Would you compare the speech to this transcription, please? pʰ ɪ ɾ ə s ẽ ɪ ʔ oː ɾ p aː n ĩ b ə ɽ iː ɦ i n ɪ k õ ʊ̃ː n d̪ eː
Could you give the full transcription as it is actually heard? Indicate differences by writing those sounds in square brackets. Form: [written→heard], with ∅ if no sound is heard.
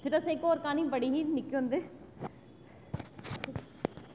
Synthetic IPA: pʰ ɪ ɾ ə s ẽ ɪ [ʔ→k] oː ɾ [p→k] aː n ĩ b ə ɽ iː ɦ i n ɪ k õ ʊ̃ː n d̪ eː